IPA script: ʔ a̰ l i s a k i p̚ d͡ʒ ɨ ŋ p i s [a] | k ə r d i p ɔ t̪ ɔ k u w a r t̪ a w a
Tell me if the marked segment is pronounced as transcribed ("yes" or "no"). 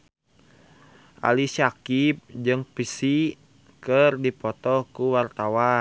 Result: no